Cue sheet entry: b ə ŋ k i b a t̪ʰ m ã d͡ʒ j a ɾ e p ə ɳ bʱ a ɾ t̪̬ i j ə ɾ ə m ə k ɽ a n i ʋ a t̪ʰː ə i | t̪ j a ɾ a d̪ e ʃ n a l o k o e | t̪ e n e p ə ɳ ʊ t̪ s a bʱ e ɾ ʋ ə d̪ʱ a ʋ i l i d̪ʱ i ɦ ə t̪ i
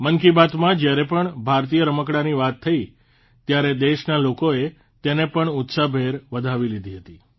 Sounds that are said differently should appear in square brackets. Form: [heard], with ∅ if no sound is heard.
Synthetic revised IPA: [m] ə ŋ k i b a [t̪] m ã d͡ʒ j a ɾ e p ə ɳ bʱ a ɾ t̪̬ i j ə ɾ ə m ə k ɽ a n i ʋ a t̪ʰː ə i | t̪ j a ɾ [e] d̪ e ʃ n a l o k o e | t̪ e n e p ə ɳ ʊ t̪ s a bʱ e ɾ ʋ ə d̪ʱ a ʋ i l i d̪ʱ i ɦ ə t̪ i